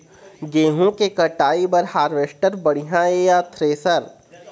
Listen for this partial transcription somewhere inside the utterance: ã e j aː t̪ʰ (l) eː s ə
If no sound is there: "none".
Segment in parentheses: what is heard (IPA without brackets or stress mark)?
ɾ